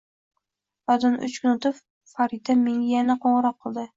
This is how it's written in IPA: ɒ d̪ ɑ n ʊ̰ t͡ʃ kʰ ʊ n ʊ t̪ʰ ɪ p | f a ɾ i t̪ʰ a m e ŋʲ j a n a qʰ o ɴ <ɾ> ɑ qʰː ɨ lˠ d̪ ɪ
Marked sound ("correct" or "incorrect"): correct